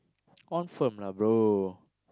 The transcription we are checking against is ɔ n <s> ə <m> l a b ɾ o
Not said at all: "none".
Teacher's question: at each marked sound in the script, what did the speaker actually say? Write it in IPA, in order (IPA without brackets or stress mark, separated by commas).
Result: f, m